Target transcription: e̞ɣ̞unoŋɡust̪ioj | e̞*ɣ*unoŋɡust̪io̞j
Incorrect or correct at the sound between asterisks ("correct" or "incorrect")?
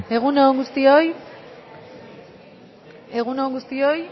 correct